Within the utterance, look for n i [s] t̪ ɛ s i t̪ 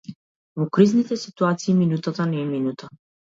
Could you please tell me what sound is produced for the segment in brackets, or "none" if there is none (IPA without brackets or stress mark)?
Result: none